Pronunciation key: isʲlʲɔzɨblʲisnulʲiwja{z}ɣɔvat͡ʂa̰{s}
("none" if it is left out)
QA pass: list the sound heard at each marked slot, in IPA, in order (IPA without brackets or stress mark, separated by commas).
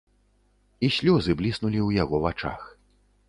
none, x